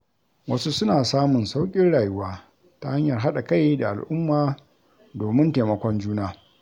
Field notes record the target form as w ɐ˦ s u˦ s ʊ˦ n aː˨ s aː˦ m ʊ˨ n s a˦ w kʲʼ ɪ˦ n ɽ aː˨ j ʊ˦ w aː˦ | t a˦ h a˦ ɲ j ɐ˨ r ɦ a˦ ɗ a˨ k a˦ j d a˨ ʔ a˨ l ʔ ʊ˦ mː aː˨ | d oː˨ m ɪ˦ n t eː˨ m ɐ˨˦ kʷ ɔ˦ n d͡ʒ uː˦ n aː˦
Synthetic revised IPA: w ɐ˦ s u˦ s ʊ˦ n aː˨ s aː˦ m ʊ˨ n s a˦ w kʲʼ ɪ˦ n ɽ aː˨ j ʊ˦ w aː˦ | t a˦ h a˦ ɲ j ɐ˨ r ɦ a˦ ɗ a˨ k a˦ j d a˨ ʔ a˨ l ʔ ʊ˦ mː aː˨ | d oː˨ m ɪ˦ n t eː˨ m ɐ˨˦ kʷ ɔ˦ n d͡ʒ uː˦ n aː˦